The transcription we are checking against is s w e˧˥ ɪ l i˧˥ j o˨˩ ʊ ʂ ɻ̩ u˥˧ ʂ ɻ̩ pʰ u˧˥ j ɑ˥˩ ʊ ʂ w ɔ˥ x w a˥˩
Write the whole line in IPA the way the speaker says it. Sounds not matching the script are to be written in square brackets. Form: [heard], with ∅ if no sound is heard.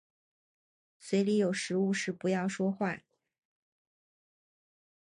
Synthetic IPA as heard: s w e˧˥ ɪ l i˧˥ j o˨˩ ʊ ʂ ɻ̩ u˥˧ ʂ ɻ̩ [p] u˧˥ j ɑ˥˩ ʊ ʂ w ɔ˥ x w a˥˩